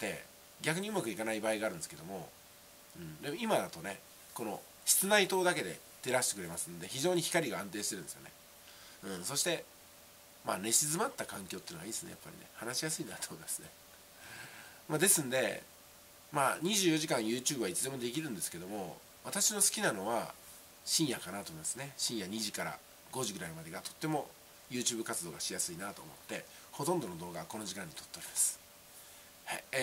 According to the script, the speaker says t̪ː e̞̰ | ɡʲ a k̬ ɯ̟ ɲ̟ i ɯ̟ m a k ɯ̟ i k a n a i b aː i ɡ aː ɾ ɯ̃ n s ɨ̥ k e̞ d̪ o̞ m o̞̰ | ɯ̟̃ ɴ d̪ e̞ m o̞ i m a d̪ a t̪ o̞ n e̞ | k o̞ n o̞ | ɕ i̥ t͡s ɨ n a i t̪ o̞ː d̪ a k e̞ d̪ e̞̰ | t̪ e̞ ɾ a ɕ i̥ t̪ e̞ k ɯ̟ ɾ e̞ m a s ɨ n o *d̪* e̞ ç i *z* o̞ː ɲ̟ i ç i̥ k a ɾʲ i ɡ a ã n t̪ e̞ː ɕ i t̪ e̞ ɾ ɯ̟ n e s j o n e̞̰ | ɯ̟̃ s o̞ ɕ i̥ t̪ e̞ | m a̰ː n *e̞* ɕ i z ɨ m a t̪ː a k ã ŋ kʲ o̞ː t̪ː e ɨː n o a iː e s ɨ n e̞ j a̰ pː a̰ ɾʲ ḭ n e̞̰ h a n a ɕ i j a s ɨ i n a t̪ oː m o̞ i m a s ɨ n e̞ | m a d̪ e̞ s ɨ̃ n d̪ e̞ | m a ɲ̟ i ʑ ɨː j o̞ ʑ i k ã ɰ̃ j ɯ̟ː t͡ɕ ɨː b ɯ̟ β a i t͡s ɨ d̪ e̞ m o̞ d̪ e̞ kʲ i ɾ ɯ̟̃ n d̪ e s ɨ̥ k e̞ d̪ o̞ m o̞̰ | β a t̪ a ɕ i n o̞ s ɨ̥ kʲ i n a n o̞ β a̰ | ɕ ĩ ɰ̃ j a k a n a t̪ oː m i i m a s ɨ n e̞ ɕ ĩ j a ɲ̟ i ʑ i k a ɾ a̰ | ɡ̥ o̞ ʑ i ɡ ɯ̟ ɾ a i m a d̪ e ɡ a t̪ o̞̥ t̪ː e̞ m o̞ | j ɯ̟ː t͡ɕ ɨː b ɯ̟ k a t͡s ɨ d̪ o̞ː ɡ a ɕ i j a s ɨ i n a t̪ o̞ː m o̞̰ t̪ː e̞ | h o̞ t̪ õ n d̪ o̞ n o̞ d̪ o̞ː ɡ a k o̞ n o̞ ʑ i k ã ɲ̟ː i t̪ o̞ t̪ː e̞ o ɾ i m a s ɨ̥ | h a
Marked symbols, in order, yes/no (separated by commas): yes, no, yes